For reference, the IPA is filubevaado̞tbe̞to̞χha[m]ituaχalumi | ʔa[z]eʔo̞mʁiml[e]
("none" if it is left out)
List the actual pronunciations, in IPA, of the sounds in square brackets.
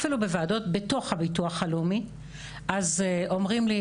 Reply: b, z, i

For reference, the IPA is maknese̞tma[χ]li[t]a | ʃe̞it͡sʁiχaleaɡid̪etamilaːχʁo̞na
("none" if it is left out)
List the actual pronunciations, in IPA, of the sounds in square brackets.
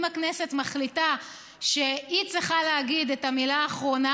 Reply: χ, t

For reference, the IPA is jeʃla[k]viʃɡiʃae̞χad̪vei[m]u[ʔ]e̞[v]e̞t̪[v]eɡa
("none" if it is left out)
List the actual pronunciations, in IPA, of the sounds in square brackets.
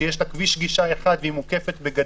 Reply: k, m, k, f, b

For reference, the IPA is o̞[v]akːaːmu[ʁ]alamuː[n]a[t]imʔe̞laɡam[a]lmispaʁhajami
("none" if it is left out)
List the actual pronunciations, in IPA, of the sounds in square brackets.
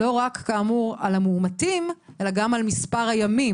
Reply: ʁ, ʁ, m, t, a

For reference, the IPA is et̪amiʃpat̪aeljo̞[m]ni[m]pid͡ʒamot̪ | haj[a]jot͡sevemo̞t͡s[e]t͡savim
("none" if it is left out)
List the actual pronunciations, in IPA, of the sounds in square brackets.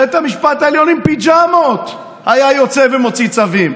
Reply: none, m, a, i

